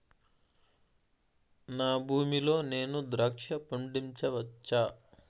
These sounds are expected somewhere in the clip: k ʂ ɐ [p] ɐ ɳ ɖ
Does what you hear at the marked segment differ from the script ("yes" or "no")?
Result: no